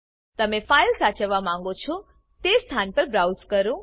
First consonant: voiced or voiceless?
voiceless